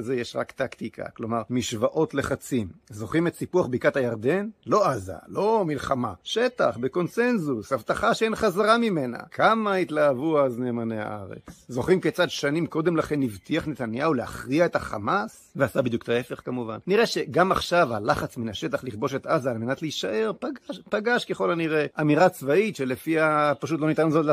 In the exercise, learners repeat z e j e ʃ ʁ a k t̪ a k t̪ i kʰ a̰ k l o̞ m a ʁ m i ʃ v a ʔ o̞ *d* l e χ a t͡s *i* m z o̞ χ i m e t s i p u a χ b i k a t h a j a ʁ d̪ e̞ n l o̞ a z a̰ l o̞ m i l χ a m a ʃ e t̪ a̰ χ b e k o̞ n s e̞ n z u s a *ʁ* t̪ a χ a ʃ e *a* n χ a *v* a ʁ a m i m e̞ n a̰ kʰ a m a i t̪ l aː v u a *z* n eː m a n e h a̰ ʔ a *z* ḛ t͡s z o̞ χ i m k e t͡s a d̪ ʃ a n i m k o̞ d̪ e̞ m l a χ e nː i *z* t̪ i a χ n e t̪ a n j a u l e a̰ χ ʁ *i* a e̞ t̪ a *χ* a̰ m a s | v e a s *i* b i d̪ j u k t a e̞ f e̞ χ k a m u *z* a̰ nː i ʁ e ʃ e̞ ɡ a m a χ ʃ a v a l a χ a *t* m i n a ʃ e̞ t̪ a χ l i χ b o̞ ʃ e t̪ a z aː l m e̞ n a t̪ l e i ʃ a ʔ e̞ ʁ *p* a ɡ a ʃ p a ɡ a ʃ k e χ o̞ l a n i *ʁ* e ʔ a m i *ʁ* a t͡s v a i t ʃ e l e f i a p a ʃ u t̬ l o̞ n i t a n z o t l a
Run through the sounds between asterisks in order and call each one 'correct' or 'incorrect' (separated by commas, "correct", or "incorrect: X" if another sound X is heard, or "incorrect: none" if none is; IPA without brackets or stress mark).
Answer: incorrect: t, correct, incorrect: v, incorrect: e, incorrect: z, correct, incorrect: ʁ, incorrect: v, correct, correct, incorrect: a, incorrect: v, incorrect: t͡s, correct, correct, correct